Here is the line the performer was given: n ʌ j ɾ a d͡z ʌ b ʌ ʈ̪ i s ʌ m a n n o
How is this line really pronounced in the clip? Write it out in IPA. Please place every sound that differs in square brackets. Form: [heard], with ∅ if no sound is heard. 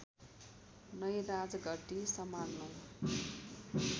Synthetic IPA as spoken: n ʌ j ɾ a d͡z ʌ [ɡ] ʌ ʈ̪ i s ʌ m a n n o